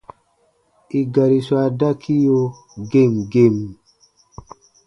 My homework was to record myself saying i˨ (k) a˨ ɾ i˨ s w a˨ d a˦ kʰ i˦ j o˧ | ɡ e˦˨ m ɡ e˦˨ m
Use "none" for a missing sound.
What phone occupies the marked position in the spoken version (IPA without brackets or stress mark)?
ɡ